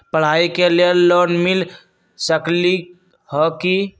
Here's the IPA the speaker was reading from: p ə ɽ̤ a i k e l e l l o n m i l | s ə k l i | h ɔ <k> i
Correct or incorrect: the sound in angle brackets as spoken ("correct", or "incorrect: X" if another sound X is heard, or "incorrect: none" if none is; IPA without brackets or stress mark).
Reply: correct